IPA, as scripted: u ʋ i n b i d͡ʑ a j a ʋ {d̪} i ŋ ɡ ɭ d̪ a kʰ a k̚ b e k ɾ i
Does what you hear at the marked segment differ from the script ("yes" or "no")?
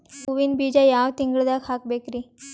yes